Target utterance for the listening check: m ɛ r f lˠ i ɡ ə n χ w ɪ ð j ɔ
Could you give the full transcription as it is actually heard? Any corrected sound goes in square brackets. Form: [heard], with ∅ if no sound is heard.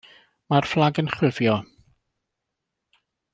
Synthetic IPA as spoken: m [a] r f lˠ [a] ɡ ə n χ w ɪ [v] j ɔ